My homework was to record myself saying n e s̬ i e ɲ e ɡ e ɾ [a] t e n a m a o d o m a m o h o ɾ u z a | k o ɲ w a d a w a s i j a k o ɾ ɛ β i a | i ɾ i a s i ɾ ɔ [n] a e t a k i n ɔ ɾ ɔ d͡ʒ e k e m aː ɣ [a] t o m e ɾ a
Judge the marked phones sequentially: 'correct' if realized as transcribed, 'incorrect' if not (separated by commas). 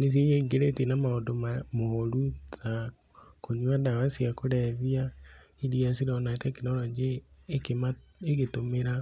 incorrect, correct, incorrect